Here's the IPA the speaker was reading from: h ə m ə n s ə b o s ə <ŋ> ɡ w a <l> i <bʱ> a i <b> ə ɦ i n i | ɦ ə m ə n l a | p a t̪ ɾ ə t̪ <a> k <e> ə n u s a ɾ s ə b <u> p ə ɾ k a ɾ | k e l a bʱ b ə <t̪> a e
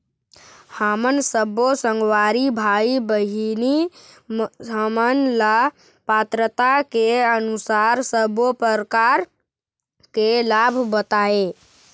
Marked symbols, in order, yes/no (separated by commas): yes, no, yes, yes, yes, yes, no, yes